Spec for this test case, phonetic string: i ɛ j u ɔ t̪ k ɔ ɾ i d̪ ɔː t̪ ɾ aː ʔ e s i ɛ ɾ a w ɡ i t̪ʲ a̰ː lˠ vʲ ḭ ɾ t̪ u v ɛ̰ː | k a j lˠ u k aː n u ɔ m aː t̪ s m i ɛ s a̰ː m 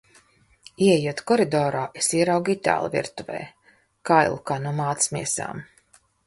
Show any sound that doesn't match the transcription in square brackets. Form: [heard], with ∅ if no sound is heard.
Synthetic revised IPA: i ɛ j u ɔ t̪ k ɔ ɾ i d̪ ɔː [∅] ɾ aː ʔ e s i ɛ ɾ a w ɡ i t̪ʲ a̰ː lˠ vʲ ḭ ɾ t̪ u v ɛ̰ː | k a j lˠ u k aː n u ɔ m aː t̪ s m i ɛ s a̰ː m